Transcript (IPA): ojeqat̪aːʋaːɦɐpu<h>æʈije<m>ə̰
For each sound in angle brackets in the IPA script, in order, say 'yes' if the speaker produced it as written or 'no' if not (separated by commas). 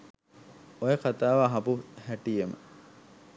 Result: yes, yes